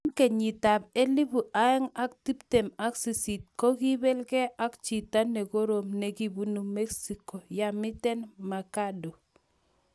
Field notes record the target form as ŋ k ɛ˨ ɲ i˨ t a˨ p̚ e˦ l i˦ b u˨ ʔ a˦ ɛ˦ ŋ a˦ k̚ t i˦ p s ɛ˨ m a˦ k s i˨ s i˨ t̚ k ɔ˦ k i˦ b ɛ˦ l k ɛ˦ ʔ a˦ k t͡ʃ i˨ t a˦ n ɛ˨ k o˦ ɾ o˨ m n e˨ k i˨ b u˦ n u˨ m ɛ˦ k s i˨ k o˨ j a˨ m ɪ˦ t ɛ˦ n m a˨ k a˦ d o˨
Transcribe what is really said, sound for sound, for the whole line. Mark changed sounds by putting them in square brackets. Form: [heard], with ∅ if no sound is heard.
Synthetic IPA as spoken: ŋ k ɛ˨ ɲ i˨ t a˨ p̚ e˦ l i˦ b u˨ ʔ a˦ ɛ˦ ŋ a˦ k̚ t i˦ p [t] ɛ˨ m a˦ k s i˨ s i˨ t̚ k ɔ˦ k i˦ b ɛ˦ l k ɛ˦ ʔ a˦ k t͡ʃ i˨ t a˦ n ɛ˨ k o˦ ɾ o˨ m n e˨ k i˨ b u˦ n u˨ m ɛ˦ k s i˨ k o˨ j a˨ m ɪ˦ t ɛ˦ n m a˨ k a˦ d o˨